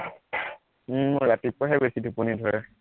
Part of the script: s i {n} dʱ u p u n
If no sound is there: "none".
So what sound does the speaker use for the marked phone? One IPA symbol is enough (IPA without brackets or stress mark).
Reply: none